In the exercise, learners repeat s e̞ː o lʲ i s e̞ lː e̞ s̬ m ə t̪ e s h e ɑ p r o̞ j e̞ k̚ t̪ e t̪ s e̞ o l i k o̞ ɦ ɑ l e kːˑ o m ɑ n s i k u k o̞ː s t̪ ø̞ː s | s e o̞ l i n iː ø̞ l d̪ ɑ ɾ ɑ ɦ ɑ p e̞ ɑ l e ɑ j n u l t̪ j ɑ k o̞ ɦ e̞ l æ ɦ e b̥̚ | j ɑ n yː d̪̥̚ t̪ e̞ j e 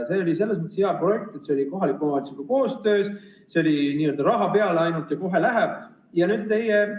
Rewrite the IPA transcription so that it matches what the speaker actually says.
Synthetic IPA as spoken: s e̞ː o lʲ i s e̞ lː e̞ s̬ m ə t̪ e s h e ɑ p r o̞ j e̞ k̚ t̪ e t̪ s e̞ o l i k o̞ ɦ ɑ l i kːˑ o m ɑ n s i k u k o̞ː s t̪ ø̞ː s | s e o̞ l i n iː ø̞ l d̪ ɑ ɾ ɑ ɦ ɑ p e̞ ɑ l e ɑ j n u l t̪ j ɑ k o̞ ɦ e̞ l æ ɦ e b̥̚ | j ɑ n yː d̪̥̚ t̪ e̞ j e